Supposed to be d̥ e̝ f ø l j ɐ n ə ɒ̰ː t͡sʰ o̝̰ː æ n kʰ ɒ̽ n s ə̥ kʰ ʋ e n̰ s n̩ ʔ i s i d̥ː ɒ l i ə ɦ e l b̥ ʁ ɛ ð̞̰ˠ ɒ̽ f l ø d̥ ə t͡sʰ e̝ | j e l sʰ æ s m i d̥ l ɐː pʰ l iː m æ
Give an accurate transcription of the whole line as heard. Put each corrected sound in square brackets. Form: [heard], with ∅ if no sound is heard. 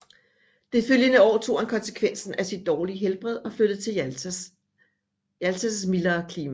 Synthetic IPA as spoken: d̥ e̝ f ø l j [ə] n ə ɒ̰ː t͡sʰ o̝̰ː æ n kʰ ɒ̽ n s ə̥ kʰ ʋ e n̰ s n̩ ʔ [æ] s i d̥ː [ɒː] l i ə ɦ e l b̥ ʁ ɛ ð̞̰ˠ ɒ̽ f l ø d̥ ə t͡sʰ e̝ | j [æ] l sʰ æ s m i [∅] l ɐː [kʰ] l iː m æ